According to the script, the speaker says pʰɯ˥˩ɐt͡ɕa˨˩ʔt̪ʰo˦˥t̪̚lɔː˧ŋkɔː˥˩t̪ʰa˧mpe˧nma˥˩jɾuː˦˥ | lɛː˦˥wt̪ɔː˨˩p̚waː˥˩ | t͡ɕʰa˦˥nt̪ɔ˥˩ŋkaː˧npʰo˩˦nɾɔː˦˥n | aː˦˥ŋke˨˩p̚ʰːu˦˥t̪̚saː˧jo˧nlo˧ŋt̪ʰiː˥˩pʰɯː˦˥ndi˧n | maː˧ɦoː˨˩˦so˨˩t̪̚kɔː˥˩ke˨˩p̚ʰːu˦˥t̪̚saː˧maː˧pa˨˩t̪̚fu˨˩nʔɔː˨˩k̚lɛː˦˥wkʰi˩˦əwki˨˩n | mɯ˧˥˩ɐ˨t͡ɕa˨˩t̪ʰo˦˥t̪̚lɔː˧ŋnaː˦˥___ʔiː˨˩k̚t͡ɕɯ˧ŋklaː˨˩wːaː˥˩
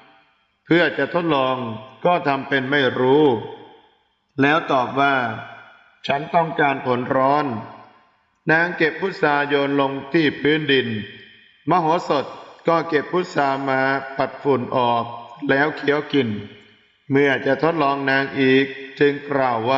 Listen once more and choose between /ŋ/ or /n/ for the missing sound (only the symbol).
ŋ